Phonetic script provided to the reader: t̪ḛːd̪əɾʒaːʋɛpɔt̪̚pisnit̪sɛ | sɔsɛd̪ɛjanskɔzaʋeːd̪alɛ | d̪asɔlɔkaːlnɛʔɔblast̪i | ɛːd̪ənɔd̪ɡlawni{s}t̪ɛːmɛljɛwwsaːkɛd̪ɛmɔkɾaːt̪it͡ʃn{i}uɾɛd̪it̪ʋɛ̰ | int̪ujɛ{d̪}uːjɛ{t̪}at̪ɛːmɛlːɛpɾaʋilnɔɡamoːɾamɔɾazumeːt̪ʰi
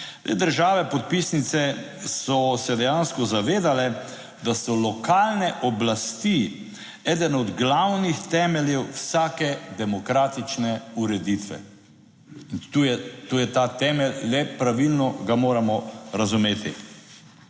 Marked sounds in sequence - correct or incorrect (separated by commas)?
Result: incorrect, incorrect, incorrect, correct